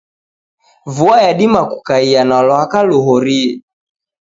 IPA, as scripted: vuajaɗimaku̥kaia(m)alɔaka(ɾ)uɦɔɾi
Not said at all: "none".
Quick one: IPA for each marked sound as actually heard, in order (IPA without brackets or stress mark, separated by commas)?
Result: n, l